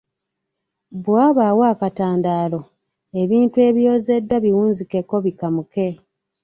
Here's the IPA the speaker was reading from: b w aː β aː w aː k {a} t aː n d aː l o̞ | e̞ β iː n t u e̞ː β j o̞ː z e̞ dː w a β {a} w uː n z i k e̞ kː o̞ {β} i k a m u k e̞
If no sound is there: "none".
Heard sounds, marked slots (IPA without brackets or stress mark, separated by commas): a, i, β